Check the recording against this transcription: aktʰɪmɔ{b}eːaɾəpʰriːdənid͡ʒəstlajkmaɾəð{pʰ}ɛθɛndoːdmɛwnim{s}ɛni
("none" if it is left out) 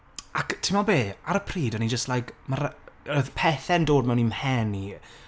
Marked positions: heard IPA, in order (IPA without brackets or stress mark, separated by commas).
b, pʰ, h